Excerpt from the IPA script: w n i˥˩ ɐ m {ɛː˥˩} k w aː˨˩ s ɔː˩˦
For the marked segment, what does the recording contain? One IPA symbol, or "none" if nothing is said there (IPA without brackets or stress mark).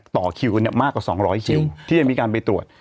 aː˥˩